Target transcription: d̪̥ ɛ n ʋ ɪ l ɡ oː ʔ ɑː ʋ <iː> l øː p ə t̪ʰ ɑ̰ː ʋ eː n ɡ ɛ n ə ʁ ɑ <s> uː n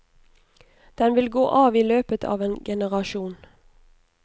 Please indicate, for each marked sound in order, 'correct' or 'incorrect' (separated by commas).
correct, incorrect